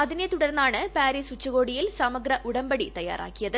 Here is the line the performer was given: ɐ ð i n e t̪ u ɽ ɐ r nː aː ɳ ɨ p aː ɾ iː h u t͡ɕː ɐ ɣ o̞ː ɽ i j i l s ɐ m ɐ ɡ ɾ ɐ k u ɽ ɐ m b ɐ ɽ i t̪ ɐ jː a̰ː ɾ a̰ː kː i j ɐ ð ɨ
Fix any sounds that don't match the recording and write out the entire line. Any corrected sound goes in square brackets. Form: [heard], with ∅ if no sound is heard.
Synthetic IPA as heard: ɐ ð i n e t̪ u ɽ ɐ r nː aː ɳ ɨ p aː ɾ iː [s] u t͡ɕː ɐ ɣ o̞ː ɽ i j i l s ɐ m ɐ ɡ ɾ ɐ [ʔ] u ɽ ɐ m b ɐ ɽ i t̪ ɐ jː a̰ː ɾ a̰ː kː i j ɐ ð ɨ